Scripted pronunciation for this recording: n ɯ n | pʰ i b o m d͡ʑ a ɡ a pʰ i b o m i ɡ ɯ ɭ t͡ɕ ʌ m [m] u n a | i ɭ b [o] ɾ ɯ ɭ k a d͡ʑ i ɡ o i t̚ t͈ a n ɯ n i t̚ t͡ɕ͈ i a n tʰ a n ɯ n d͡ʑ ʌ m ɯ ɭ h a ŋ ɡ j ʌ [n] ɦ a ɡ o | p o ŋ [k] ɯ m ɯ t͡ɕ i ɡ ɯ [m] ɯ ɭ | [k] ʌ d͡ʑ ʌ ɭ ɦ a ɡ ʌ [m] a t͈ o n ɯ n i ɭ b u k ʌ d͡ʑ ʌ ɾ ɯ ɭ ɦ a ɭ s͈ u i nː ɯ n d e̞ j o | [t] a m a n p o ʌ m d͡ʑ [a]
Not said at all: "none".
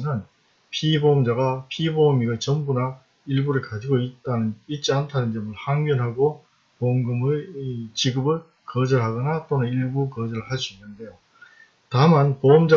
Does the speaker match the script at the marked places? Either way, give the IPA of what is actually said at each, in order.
b, u, n, ɡ, b, k, n, t, a

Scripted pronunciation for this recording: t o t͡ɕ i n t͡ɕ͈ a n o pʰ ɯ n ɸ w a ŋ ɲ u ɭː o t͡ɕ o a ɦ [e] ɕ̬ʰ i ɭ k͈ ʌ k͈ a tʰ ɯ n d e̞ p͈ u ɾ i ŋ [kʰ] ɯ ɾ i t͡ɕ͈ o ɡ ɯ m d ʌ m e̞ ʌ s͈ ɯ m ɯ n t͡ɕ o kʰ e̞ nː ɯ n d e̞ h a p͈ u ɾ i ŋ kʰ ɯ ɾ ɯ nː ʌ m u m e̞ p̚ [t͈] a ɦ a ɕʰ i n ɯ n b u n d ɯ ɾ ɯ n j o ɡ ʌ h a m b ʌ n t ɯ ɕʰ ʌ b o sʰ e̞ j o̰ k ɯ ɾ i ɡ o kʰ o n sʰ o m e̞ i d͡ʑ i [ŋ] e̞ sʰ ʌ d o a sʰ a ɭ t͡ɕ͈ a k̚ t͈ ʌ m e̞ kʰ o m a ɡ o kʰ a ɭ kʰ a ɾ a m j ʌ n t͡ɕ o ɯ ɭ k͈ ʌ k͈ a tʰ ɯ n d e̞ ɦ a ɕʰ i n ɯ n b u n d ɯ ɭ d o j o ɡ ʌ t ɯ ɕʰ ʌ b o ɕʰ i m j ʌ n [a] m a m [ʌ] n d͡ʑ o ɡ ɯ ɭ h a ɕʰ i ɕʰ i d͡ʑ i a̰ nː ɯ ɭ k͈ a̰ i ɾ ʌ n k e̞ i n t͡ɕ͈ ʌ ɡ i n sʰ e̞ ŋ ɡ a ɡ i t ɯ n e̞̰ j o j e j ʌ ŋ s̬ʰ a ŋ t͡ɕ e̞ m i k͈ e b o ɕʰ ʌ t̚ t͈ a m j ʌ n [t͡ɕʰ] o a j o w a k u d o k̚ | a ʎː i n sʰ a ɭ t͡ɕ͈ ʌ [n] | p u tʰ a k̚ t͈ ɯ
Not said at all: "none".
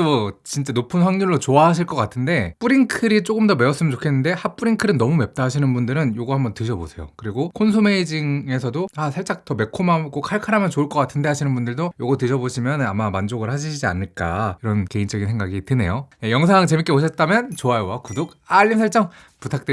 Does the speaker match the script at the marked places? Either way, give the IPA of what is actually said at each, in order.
a, kʰ, t͈, ŋ, a, a, t͡ɕ, ŋ

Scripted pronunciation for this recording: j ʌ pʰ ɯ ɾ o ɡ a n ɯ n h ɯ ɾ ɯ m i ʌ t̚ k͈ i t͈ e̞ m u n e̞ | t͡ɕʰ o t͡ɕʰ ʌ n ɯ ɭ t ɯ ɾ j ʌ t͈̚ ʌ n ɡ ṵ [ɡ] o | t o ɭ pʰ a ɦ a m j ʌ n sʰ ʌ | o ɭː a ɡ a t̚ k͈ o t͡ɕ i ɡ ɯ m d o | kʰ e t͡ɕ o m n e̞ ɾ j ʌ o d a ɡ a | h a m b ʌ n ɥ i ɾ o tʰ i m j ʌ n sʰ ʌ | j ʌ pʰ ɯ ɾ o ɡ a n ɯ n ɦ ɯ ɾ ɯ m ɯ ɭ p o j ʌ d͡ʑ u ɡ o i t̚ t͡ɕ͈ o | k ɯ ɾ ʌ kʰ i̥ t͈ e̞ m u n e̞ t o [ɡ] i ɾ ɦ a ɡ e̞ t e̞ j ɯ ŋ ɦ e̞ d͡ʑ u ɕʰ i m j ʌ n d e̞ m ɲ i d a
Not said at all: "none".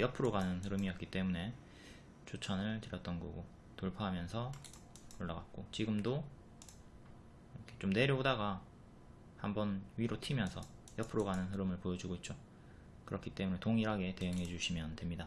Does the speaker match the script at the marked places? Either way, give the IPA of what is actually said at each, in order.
ɡ, ŋ

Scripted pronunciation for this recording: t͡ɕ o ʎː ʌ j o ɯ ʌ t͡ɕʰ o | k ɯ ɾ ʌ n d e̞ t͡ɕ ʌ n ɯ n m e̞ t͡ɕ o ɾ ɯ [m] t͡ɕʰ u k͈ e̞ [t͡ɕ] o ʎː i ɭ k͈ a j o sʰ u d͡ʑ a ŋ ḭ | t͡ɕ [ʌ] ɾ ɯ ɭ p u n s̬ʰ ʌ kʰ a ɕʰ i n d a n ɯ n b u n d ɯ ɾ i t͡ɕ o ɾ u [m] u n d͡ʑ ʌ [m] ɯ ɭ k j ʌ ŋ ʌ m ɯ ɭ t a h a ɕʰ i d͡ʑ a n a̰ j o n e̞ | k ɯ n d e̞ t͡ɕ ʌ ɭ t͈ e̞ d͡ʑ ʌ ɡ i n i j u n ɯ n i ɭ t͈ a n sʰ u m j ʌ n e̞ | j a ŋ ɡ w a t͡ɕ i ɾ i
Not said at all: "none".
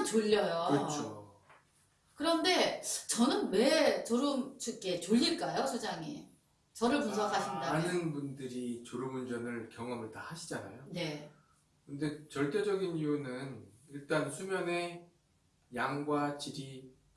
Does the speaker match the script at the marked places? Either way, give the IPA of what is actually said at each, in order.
m, t͡ɕ, ʌ, m, n

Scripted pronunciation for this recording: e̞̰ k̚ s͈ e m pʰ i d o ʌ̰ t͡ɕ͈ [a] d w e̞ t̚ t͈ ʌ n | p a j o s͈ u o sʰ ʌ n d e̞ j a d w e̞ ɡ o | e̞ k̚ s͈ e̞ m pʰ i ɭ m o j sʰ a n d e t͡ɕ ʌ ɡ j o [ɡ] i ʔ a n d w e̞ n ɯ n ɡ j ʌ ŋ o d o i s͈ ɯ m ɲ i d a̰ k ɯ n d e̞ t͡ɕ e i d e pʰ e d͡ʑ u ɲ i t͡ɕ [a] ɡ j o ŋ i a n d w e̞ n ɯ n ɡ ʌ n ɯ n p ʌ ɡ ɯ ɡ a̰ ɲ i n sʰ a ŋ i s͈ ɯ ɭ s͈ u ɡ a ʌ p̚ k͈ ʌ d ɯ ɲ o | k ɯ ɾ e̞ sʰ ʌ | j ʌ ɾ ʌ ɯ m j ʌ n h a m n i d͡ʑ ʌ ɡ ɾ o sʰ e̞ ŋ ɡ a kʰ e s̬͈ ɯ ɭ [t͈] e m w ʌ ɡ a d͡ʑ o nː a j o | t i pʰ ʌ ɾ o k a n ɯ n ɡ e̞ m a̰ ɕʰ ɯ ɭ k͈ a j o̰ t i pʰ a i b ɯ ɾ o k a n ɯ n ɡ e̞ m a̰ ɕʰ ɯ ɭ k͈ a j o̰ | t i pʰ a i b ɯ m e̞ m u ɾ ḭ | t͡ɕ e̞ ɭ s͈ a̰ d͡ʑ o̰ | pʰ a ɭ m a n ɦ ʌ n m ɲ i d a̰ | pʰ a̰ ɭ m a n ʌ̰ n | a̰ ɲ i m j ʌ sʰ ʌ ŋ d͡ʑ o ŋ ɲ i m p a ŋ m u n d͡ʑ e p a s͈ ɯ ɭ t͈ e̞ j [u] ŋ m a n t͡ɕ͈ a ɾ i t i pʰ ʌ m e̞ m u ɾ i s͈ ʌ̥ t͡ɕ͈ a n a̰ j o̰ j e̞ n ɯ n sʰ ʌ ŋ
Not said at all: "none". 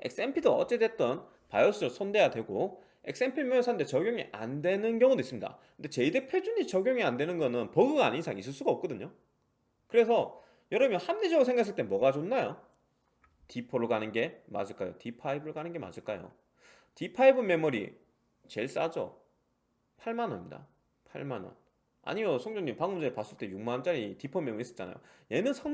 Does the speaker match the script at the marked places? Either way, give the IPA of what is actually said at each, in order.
e, ŋ, ʌ, t͈, u

